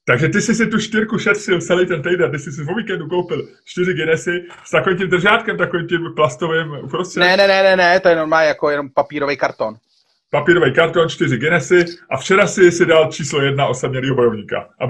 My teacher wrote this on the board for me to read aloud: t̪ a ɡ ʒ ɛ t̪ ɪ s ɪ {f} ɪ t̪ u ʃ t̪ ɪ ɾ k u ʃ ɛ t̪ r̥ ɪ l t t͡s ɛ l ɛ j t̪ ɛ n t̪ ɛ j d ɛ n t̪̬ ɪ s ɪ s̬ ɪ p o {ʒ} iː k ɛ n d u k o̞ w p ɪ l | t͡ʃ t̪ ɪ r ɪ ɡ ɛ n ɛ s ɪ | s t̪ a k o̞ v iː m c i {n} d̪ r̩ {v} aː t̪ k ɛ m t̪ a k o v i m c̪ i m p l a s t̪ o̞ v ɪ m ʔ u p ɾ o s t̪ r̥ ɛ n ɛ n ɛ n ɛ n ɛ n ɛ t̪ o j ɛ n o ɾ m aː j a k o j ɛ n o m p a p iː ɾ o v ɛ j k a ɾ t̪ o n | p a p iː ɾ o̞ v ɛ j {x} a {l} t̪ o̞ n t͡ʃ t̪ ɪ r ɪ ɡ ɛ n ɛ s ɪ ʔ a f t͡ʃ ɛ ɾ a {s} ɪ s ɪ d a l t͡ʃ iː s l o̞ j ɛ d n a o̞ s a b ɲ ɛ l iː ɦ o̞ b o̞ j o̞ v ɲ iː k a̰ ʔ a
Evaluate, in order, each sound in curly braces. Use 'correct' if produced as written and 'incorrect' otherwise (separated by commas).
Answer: incorrect, incorrect, incorrect, incorrect, incorrect, incorrect, correct